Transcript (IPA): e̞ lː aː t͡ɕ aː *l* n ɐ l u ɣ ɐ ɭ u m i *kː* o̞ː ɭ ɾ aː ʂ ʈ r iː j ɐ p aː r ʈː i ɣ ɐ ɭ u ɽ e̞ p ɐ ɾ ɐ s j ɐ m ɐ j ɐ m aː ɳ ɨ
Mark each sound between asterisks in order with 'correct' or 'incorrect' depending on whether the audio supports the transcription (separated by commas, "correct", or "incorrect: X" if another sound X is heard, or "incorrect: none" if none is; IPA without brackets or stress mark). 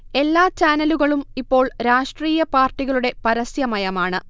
incorrect: none, incorrect: pː